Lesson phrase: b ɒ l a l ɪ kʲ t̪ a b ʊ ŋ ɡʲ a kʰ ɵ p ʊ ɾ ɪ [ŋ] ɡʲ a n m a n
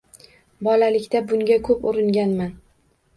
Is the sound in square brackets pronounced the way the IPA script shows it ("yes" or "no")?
yes